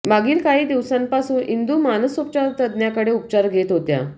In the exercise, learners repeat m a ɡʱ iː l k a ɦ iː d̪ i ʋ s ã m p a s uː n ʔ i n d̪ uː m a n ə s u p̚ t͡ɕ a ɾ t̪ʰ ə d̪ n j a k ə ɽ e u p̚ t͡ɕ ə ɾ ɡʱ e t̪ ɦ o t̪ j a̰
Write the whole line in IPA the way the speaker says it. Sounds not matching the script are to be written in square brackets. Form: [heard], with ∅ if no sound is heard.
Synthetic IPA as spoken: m a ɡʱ iː l k a ɦ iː d̪ i ʋ s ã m p a s uː n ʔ i n d̪ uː m a n ə s u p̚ t͡ɕ a ɾ [t̪] ə d̪ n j a k ə ɽ e u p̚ t͡ɕ [a] ɾ ɡʱ e t̪ ɦ o t̪ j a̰